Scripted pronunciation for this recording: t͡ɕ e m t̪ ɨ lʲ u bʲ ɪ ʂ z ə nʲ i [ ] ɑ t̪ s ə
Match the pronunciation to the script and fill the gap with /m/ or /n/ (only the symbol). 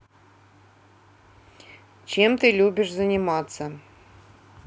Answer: m